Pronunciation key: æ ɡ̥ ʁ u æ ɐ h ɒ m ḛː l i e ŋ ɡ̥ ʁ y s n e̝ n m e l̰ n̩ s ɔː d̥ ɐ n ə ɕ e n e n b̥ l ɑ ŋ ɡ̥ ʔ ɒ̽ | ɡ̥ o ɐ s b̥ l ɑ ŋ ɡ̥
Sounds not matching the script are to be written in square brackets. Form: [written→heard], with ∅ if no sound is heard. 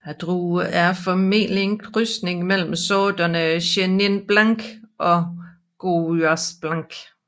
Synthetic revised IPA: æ [ɡ̥→d̥] ʁ u æ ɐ [h→f] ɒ m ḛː l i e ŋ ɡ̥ ʁ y s n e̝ [n→ŋ] m e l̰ [n̩→m̩] s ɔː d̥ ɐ n ə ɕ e n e n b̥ l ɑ ŋ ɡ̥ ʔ ɒ̽ | ɡ̥ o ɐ s b̥ l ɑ ŋ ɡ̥